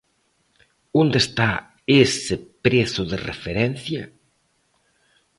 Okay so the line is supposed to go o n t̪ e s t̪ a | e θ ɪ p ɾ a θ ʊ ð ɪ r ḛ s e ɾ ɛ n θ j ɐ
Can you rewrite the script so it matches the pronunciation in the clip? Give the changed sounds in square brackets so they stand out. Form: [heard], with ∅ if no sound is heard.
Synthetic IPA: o n [d̪] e s t̪ a | e [s] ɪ p ɾ [e] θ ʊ ð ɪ r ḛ [f] e ɾ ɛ n θ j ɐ